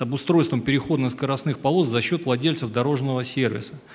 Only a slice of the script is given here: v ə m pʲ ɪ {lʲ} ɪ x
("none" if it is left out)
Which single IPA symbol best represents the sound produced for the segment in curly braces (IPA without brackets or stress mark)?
ɾʲ